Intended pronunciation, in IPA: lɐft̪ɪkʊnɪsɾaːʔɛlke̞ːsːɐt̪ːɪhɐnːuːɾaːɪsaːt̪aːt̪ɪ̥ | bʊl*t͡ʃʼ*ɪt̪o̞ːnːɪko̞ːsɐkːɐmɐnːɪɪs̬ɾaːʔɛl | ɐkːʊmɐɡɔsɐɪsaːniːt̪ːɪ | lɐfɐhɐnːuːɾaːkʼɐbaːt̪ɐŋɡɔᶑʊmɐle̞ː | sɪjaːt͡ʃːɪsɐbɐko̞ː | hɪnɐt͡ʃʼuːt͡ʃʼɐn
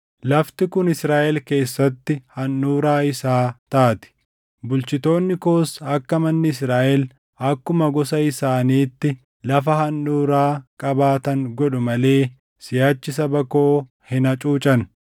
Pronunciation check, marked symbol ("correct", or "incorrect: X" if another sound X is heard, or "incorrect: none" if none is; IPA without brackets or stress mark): incorrect: t͡ʃ